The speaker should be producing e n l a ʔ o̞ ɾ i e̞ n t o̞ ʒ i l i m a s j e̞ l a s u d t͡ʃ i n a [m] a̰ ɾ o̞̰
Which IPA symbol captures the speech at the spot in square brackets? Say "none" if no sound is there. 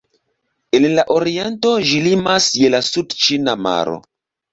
m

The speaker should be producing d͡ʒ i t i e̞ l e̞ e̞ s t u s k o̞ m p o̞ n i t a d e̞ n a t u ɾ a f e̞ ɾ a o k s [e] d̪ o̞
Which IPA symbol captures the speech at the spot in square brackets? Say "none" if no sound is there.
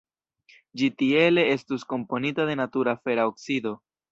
i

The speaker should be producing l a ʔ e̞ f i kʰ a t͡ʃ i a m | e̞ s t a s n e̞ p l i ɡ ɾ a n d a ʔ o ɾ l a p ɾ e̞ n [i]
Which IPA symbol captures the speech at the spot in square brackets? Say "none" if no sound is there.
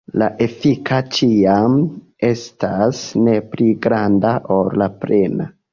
a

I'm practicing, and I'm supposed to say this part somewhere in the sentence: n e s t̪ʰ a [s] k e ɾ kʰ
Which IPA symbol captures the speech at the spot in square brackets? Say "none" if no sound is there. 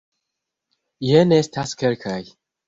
s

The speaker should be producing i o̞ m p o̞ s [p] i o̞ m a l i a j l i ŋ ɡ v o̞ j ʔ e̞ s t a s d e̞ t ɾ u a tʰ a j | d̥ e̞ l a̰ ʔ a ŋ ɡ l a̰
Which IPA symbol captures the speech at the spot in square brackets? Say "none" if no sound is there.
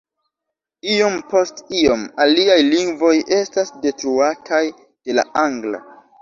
t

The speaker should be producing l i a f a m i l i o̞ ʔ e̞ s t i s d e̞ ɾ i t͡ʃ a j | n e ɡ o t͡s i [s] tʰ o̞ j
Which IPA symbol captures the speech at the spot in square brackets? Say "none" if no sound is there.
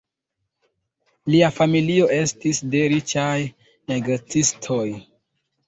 s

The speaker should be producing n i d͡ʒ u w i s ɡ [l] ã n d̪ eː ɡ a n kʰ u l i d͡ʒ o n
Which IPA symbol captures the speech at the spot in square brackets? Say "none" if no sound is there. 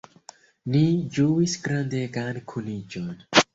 ɾ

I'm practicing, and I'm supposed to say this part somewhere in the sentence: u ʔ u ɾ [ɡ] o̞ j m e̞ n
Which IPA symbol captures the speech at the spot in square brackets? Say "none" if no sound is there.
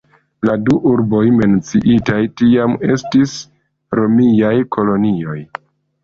b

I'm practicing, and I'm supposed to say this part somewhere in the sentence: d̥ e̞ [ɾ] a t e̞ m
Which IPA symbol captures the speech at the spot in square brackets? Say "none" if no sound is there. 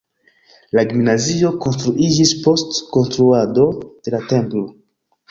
l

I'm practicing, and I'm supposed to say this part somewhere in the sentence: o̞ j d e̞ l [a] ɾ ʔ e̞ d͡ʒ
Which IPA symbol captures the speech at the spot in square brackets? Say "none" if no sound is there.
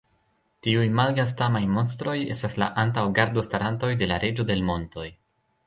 a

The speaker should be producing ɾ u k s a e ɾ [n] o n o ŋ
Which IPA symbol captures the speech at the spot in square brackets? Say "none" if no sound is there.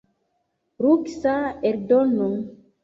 d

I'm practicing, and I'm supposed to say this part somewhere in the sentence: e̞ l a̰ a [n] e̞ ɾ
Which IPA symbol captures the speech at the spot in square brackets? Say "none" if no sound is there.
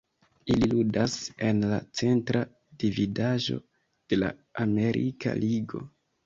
m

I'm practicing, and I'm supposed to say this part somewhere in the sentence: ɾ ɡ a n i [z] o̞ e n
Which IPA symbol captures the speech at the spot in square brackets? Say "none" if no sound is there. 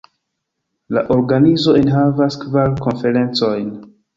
z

